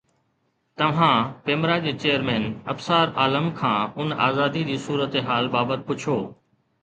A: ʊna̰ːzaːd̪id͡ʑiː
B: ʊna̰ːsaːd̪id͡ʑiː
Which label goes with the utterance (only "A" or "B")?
A